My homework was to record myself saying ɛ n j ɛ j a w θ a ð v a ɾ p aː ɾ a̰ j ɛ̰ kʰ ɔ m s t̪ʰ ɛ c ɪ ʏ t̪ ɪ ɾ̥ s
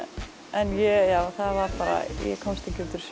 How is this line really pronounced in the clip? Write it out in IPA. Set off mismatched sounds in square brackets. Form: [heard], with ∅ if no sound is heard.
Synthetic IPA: ɛ n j ɛ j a w θ a ð v a ɾ p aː ɾ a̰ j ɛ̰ kʰ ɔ m s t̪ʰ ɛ c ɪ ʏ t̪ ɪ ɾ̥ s